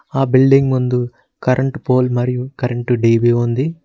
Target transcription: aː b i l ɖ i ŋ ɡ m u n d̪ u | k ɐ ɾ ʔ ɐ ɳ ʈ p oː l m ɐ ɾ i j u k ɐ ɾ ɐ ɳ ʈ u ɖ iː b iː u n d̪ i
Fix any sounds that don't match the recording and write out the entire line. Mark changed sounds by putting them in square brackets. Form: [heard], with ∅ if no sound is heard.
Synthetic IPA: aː b i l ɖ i ŋ ɡ m u n d̪ u | k ɐ ɾ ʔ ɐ ɳ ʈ p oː l m ɐ ɾ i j u k ɐ ɾ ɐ ɳ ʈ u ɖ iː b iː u n d̪ i